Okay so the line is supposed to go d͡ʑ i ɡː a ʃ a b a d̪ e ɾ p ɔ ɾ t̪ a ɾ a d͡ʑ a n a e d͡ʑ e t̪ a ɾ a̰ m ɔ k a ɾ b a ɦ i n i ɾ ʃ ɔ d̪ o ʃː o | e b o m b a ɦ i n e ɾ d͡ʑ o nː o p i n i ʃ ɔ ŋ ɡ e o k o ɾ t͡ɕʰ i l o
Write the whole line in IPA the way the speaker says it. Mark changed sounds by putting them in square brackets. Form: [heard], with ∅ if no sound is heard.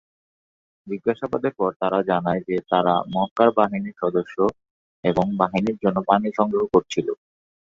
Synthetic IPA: d͡ʑ i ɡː a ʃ a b a d̪ e ɾ p ɔ ɾ t̪ a ɾ a d͡ʑ a n a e d͡ʑ e t̪ a ɾ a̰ m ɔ k a ɾ b a ɦ i n i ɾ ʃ ɔ d̪ o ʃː o | e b o [ŋ] b a ɦ i n [i] ɾ d͡ʑ o nː o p [a] n i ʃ ɔ ŋ ɡ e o k o ɾ t͡ɕʰ i l o